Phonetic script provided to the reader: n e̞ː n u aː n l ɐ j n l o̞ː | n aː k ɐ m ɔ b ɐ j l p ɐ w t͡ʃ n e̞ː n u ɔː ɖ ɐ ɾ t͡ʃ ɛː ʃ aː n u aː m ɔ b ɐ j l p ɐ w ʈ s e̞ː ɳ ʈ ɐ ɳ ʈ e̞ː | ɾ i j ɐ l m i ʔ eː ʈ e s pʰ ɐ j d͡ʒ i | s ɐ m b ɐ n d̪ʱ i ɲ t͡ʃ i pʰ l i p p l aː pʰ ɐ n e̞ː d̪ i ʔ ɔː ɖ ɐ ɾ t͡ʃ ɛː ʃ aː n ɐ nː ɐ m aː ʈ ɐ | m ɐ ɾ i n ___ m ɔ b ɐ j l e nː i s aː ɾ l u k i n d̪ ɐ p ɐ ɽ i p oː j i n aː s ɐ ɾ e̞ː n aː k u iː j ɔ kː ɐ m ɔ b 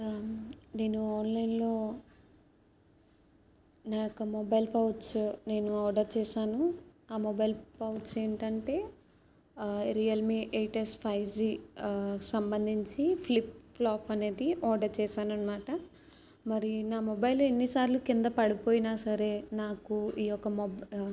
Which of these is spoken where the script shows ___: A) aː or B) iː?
A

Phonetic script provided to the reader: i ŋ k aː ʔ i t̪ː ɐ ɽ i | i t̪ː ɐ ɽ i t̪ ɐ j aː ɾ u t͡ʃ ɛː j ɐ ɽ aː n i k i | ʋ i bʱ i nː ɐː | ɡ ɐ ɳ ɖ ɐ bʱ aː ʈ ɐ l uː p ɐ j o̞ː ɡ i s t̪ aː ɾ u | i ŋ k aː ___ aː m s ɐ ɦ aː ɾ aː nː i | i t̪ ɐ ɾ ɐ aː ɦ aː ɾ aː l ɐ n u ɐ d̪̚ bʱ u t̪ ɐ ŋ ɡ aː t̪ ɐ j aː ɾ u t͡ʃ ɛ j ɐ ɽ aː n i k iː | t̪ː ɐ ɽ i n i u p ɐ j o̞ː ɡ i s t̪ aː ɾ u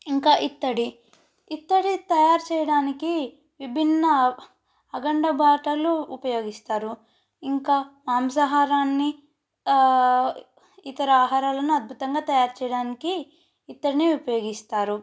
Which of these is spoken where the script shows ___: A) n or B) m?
B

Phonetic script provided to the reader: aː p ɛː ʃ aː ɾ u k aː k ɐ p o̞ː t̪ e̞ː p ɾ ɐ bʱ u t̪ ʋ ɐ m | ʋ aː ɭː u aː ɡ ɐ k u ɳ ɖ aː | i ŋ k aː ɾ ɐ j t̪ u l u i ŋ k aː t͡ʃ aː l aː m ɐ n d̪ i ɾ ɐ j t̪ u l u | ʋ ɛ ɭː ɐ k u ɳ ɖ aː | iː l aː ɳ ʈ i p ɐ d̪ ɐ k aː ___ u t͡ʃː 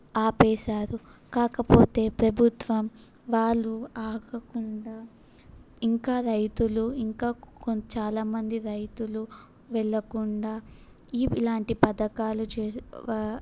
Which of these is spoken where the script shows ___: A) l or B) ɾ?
A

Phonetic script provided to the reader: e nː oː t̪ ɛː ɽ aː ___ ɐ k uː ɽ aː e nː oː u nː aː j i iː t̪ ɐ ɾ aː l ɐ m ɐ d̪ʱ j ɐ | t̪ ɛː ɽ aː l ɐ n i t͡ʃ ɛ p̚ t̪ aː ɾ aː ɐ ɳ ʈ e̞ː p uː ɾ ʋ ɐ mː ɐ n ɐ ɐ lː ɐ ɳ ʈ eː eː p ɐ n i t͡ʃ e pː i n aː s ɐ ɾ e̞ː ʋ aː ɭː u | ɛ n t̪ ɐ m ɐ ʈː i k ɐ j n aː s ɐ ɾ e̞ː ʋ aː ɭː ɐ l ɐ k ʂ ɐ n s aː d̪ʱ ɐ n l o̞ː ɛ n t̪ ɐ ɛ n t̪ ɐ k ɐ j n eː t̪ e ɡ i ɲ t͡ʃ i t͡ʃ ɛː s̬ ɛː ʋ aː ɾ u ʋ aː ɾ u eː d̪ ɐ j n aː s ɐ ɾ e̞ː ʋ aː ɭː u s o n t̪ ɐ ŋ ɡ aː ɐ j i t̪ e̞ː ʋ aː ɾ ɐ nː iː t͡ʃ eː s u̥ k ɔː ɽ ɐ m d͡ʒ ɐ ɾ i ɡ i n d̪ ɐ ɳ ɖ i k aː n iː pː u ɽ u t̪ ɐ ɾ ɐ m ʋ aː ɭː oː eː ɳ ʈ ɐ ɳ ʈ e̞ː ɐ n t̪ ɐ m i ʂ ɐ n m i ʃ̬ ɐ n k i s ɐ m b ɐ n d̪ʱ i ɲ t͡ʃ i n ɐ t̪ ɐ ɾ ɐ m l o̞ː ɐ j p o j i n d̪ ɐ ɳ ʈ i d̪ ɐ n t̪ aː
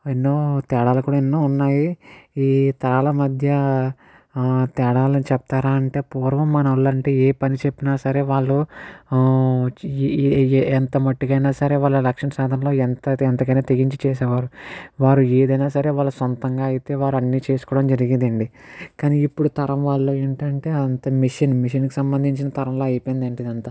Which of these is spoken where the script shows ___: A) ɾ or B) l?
B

